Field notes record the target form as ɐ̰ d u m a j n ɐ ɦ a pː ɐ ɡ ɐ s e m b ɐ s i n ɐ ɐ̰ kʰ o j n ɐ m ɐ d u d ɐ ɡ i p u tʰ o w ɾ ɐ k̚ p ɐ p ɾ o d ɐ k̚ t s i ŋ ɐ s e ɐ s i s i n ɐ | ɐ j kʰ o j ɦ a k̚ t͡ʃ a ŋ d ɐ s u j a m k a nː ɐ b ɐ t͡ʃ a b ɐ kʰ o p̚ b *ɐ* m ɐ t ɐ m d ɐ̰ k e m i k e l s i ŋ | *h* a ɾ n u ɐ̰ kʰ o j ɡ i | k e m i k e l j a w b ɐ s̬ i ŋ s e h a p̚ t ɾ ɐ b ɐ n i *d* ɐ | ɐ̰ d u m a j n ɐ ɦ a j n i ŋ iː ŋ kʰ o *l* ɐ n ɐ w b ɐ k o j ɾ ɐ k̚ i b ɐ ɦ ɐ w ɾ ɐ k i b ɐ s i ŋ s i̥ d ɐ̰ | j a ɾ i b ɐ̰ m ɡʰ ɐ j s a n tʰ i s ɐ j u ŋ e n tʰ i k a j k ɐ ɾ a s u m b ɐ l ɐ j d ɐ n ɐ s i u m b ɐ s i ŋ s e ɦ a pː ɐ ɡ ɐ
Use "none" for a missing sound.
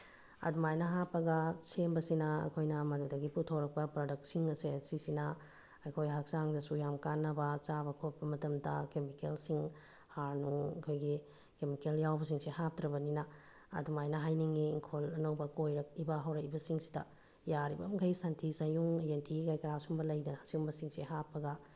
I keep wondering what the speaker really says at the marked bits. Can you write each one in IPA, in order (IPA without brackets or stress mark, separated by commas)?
ɐ, h, n, l